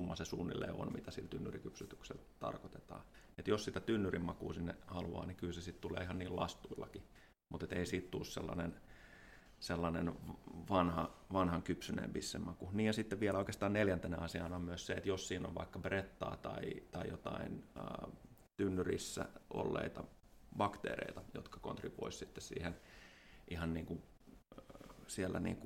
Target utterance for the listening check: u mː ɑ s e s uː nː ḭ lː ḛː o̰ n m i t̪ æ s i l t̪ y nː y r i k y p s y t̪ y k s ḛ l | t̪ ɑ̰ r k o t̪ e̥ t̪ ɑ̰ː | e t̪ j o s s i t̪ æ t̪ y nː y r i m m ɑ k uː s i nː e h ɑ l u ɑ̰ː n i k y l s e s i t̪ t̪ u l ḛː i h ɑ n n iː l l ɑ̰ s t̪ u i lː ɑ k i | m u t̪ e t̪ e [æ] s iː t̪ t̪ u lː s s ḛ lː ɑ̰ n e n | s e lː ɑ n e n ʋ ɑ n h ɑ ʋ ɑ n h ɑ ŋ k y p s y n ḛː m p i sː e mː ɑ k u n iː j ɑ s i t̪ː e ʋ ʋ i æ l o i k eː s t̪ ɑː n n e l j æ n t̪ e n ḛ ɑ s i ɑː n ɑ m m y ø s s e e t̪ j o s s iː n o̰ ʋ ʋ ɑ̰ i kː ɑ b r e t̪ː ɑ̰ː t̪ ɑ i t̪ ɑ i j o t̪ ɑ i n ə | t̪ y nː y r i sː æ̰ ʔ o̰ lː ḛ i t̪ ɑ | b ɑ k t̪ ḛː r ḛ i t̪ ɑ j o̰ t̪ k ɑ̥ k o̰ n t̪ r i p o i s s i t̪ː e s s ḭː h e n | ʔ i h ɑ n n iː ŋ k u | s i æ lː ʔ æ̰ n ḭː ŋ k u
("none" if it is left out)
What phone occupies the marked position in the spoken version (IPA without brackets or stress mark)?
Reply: i